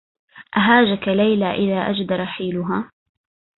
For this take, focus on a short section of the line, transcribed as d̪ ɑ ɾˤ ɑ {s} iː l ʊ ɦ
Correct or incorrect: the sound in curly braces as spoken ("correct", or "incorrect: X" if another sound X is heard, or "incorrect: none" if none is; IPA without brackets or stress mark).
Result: incorrect: ħ